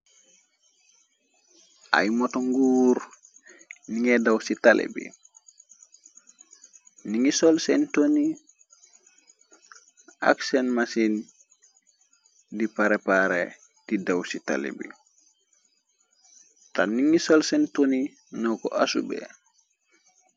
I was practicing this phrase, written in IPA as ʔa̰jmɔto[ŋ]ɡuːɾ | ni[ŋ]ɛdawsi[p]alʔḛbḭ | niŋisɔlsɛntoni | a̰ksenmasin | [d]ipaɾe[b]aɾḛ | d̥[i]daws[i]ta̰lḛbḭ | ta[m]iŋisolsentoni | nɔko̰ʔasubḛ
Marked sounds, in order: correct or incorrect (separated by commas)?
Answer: correct, correct, incorrect, correct, incorrect, correct, correct, incorrect